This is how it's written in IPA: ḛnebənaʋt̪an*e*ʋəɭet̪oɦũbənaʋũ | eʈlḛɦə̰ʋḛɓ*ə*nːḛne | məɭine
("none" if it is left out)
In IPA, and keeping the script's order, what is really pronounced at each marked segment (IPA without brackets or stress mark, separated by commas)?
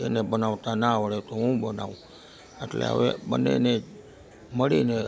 a, ə